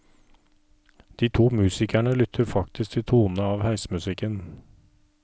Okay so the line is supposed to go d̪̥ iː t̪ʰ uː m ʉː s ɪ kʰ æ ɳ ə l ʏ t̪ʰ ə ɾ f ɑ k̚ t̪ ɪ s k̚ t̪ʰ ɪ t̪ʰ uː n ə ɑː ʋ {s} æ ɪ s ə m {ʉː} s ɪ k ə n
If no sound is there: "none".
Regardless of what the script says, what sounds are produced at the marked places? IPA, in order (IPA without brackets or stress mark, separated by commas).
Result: h, ʉ